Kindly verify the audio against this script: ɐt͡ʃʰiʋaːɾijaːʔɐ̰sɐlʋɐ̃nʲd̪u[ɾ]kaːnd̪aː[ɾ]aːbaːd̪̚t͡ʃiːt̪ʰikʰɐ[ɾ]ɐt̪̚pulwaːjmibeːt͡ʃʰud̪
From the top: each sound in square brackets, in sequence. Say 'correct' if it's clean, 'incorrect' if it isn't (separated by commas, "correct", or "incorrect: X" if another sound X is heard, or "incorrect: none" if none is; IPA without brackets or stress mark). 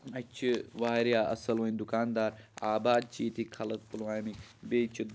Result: incorrect: none, correct, incorrect: l